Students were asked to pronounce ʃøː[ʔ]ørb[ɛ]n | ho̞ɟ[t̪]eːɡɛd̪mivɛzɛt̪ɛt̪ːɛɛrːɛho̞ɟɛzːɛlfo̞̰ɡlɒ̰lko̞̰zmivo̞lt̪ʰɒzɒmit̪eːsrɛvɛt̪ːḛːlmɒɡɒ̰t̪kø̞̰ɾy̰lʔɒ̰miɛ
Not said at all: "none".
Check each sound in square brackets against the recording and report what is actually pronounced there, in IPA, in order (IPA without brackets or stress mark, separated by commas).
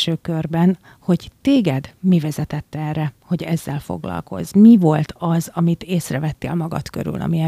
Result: k, ɛ, t̪